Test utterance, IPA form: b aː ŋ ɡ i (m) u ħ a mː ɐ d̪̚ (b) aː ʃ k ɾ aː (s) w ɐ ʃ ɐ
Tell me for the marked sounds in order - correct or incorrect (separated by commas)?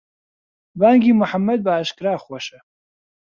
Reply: correct, correct, incorrect